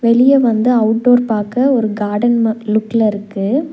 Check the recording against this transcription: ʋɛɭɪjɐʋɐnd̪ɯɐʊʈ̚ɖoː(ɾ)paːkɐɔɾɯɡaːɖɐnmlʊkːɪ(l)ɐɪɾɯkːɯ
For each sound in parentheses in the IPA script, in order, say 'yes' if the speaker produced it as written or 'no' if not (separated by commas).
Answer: yes, yes